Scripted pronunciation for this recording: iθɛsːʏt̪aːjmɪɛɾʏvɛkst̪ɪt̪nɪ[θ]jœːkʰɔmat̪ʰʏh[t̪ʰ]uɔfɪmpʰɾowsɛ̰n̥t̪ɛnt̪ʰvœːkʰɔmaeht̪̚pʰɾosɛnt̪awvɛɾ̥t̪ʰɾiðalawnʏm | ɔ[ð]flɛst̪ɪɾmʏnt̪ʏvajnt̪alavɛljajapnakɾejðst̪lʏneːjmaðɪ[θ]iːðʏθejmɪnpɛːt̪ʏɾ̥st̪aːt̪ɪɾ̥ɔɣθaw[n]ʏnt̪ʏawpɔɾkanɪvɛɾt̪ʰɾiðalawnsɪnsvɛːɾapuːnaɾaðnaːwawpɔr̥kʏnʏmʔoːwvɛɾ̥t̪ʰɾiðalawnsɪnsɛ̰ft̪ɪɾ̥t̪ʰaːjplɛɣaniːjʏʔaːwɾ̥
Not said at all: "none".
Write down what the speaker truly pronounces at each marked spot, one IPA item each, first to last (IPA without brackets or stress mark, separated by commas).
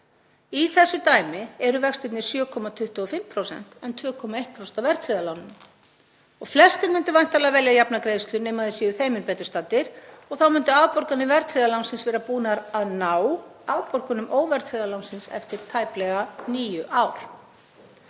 s, t̪, ɣ, s, m